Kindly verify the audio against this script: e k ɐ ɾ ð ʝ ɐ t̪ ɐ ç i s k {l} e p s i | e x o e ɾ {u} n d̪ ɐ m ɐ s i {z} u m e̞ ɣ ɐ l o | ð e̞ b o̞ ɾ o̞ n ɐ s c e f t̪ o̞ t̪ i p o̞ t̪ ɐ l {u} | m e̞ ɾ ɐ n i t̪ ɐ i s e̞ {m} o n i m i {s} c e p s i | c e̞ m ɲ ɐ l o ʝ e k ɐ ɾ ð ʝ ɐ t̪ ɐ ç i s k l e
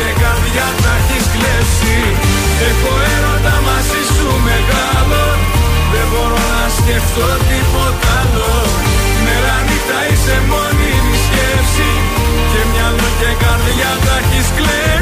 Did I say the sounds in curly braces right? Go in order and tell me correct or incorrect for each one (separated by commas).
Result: correct, incorrect, incorrect, incorrect, correct, correct